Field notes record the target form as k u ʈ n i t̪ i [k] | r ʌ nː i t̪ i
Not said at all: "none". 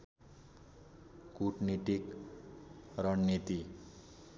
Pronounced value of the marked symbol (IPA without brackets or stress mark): k